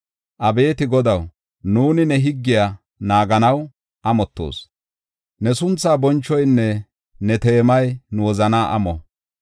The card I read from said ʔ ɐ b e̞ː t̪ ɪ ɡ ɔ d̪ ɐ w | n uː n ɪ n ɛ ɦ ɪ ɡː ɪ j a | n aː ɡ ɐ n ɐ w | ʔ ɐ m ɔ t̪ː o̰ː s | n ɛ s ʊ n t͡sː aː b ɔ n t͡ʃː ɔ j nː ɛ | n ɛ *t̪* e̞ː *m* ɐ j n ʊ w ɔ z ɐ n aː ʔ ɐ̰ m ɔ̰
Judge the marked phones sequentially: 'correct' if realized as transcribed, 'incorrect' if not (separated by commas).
correct, correct